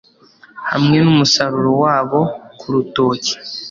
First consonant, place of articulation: glottal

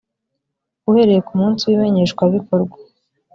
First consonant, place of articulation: glottal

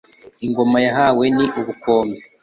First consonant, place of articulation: velar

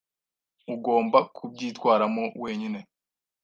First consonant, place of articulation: velar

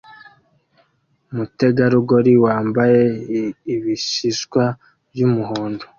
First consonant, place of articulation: labial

